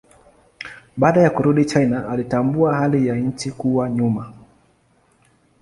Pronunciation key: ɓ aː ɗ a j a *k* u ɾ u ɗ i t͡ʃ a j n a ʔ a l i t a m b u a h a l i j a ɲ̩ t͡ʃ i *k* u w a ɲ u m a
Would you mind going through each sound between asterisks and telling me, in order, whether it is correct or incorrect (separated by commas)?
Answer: correct, correct